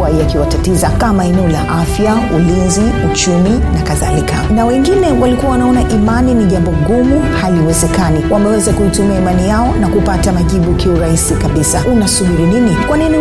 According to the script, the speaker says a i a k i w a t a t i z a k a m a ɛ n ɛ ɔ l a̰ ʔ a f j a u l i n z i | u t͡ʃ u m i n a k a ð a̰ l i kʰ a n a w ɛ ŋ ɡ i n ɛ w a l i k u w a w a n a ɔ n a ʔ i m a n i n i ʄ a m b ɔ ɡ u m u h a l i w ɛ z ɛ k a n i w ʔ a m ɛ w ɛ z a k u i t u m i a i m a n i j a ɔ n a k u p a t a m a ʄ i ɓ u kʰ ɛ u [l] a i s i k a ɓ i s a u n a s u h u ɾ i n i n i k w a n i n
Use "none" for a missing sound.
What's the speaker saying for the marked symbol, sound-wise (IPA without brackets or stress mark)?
ɾ